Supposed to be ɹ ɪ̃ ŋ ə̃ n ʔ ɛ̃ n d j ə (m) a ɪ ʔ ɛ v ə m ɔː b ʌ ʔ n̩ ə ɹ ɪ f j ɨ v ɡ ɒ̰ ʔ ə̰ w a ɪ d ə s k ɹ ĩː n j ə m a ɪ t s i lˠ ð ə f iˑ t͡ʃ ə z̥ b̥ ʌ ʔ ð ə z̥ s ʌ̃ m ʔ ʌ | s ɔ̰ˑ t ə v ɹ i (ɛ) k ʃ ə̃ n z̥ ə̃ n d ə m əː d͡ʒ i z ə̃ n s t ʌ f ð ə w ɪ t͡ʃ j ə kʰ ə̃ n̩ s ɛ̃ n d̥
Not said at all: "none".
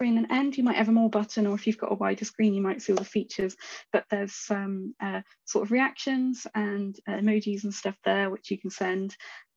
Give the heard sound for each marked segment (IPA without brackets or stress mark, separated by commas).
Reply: m, a